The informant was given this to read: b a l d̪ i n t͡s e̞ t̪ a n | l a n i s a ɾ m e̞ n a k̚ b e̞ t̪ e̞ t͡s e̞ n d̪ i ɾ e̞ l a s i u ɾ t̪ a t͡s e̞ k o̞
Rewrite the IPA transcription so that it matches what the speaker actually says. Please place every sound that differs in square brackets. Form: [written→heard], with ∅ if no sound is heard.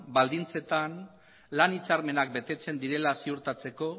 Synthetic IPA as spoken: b a l d̪ i n t͡s e̞ t̪ a n | l a n i [s→t͡s] a ɾ m e̞ n a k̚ b e̞ t̪ e̞ t͡s e̞ n d̪ i ɾ e̞ l a s i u ɾ t̪ a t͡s e̞ k o̞